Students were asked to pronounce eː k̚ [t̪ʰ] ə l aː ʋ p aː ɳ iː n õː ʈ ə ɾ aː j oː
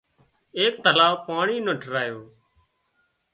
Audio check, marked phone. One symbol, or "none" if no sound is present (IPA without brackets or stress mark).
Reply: t̪